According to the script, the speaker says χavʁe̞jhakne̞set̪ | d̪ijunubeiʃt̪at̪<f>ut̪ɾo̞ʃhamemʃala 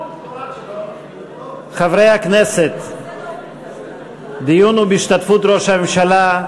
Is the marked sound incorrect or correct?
correct